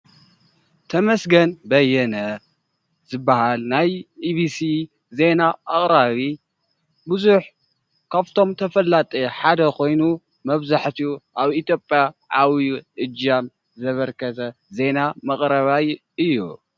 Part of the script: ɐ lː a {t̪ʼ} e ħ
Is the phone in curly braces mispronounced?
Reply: no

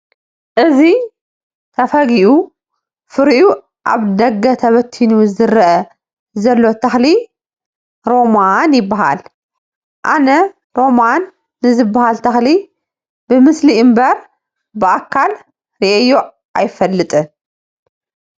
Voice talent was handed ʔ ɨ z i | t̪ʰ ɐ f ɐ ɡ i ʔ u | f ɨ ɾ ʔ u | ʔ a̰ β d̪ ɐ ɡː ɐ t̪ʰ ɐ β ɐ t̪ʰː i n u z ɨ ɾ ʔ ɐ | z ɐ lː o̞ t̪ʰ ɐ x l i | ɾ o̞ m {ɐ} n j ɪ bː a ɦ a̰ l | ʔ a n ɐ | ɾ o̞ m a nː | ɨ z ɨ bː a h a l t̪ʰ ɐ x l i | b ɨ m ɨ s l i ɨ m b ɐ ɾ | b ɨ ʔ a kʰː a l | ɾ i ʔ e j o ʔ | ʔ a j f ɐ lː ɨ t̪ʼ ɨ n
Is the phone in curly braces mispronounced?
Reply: yes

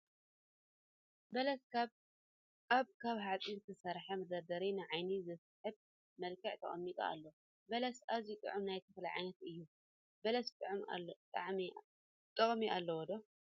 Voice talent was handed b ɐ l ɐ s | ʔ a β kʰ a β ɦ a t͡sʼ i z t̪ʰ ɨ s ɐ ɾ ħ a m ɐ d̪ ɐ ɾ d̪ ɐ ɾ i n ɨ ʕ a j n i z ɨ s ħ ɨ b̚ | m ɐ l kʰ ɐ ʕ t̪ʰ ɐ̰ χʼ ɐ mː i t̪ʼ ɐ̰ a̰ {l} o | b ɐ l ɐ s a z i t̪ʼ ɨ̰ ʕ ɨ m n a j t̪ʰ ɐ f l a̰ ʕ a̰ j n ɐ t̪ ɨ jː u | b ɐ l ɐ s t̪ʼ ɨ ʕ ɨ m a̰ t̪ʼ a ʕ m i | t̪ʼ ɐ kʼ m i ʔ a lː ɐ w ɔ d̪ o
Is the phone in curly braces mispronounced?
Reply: yes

